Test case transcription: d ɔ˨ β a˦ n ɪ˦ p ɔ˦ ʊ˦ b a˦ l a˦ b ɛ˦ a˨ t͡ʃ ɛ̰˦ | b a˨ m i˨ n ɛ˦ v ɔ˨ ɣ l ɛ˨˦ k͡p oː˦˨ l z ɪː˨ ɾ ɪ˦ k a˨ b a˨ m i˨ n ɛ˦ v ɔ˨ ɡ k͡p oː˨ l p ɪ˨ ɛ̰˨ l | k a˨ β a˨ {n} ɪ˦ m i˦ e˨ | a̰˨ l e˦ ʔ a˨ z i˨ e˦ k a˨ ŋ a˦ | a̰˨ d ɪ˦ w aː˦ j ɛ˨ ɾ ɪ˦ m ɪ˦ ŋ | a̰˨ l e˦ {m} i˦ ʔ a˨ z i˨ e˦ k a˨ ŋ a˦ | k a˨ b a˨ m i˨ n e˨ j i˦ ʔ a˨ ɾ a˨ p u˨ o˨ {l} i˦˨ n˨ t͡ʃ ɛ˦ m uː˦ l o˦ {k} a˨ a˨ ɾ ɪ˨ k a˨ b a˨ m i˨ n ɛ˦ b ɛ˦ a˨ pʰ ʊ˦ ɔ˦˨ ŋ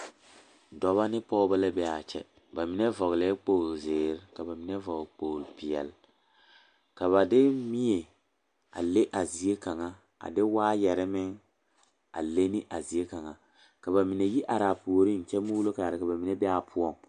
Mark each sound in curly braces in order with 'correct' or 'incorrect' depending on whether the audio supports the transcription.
incorrect, incorrect, incorrect, correct

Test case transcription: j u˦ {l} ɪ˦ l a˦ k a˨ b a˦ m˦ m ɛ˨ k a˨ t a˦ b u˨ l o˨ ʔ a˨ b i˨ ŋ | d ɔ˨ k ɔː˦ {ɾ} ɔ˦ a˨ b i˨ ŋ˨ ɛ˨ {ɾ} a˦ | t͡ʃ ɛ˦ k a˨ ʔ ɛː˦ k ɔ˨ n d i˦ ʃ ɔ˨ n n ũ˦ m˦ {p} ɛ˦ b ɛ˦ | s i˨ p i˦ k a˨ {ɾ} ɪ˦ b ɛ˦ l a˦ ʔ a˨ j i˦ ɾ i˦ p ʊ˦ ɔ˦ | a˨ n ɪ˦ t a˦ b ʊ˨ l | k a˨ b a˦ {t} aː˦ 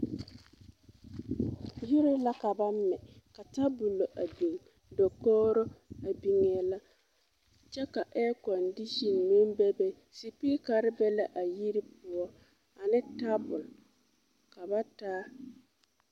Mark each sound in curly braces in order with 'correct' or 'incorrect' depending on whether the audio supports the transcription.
incorrect, correct, incorrect, incorrect, correct, correct

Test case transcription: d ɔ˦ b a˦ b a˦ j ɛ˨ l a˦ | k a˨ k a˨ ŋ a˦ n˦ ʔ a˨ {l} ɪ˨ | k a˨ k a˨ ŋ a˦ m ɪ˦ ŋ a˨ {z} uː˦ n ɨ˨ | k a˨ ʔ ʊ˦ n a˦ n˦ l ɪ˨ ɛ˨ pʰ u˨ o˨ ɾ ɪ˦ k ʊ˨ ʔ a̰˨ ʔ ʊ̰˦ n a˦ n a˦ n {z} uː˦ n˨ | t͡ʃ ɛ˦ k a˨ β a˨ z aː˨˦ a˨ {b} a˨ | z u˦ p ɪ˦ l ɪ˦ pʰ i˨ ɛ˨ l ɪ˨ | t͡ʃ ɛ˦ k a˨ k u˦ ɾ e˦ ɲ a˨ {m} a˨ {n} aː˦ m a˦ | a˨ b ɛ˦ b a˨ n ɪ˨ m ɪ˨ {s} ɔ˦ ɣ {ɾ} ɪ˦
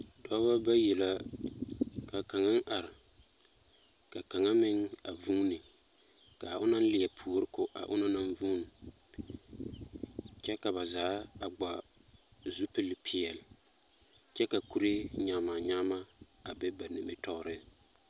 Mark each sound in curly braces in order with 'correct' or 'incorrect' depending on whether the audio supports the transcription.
incorrect, incorrect, incorrect, incorrect, correct, incorrect, incorrect, correct

